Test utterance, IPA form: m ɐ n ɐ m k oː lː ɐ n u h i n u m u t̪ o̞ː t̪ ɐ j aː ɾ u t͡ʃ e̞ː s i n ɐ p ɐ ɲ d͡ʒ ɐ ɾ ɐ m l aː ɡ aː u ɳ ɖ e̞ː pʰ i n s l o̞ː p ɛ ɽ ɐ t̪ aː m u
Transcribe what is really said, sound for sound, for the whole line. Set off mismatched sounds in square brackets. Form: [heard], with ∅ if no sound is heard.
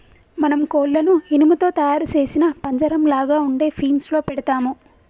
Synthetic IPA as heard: m ɐ n ɐ m k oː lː ɐ n u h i n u m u t̪ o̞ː t̪ ɐ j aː ɾ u t͡ʃ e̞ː s i n ɐ p ɐ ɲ d͡ʒ ɐ ɾ ɐ m l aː ɡ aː u ɳ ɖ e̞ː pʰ [iː] n s l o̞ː p ɛ ɽ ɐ t̪ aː m u